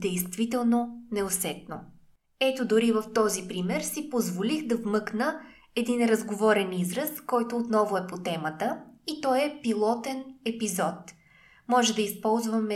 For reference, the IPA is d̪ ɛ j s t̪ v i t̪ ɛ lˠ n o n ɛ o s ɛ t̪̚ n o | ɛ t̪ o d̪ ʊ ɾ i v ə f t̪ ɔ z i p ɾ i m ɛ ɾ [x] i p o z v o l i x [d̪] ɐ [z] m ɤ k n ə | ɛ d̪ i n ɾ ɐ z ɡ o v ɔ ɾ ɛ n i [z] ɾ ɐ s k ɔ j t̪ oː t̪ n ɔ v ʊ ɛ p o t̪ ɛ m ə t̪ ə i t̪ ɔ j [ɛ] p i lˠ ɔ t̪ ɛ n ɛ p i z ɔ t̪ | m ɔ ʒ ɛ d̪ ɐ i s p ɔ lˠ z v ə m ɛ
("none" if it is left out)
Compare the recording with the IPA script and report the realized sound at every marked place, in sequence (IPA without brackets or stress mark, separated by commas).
s, d̪, v, z, ɛ